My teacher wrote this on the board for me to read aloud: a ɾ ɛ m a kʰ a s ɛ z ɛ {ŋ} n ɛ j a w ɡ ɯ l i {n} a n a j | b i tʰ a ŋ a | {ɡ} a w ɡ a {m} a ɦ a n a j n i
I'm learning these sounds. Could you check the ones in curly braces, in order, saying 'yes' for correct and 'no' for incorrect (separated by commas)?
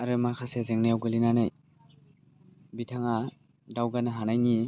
yes, yes, no, no